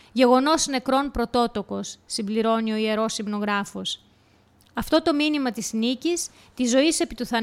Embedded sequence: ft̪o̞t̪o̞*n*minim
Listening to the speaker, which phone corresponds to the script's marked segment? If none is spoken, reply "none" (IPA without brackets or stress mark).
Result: none